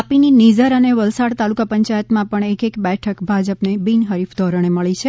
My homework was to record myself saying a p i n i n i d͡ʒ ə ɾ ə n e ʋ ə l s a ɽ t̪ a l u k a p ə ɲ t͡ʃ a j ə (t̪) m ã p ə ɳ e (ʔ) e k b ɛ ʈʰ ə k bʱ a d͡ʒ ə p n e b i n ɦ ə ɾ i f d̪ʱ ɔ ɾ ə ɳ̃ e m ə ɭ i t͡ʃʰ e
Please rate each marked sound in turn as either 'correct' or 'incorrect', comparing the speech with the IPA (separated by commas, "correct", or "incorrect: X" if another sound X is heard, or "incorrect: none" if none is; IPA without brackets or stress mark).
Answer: correct, incorrect: k